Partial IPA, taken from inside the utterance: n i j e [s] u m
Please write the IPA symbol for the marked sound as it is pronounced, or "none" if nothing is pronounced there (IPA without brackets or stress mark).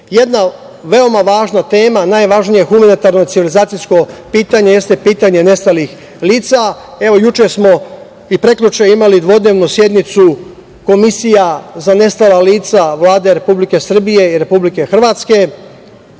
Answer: x